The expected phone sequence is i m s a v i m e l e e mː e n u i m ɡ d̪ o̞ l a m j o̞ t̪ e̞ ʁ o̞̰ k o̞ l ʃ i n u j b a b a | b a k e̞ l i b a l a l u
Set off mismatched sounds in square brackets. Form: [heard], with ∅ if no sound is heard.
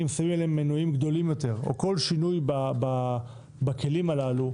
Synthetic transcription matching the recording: i m s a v i m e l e e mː e n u i m ɡ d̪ o̞ l [i] m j o̞ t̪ e̞ ʁ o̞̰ k o̞ l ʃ i n u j b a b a | b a k e̞ l i [m] a l a l u